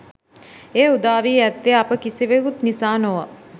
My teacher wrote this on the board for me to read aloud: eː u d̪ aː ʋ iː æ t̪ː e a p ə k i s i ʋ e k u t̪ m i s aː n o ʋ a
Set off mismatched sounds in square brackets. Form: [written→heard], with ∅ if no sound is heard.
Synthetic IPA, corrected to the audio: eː u d̪ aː ʋ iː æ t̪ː e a p ə k i s i ʋ e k u t̪ [m→n] i s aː n o ʋ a